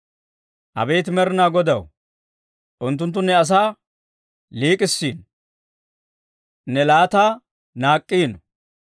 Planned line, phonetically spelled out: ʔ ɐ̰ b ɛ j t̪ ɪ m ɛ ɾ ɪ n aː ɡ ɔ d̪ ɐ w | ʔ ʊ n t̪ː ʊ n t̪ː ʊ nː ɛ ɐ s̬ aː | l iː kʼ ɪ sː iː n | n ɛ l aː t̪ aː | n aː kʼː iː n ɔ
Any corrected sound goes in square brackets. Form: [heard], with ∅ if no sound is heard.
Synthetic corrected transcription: ʔ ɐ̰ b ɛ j t̪ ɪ m ɛ ɾ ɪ n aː ɡ ɔ d̪ ɐ w | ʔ ʊ n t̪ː ʊ n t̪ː ʊ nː ɛ ɐ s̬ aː | l iː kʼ ɪ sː iː n | n ɛ l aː t̪ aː | n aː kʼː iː n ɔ